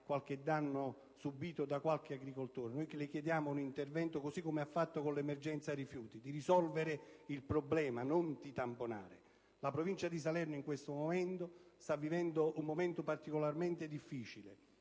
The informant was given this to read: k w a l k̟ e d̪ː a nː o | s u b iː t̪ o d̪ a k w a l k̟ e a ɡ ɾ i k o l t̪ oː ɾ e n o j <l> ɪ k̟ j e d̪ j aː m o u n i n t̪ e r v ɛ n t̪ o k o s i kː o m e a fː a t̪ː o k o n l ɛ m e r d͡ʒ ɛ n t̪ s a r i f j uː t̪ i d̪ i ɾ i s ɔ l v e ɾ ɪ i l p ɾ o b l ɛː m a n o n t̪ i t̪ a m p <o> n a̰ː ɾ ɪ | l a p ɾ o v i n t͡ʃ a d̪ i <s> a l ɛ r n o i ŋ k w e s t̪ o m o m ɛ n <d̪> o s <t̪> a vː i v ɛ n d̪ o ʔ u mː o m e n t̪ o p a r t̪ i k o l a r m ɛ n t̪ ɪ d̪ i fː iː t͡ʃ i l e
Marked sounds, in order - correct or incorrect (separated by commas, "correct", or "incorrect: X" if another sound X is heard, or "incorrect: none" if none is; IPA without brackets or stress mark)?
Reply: correct, correct, correct, incorrect: t̪, correct